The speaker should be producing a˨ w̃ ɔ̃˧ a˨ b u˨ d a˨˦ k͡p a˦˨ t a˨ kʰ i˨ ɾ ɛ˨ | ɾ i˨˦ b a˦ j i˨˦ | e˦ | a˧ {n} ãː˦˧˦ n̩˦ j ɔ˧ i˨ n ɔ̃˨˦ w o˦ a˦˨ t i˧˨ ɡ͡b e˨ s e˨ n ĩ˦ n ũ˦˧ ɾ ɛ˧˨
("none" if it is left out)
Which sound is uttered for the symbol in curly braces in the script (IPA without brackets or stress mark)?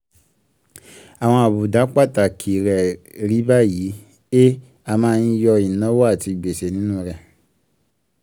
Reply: m